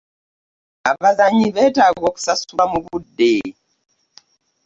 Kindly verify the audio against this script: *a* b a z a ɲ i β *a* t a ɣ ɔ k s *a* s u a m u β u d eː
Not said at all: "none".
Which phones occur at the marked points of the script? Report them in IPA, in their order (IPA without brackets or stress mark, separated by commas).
a, ɛ, a